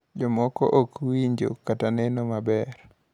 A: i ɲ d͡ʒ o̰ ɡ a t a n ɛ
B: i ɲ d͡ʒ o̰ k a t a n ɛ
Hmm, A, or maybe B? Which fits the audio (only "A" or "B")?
B